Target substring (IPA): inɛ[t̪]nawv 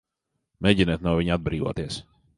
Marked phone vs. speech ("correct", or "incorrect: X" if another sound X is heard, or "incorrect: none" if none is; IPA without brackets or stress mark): correct